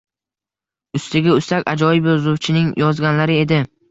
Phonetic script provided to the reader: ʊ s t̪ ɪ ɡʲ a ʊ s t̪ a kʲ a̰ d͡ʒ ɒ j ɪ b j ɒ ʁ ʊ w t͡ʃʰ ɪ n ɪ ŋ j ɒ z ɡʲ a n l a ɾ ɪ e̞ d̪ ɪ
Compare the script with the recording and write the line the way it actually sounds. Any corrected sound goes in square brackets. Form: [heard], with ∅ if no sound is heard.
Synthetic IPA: ʊ s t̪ ɪ ɡʲ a ʊ s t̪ a kʲ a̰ d͡ʒ ɒ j ɪ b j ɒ [z] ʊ w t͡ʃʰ ɪ n ɪ ŋ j ɒ z ɡʲ a n l a ɾ ɪ e̞ d̪ ɪ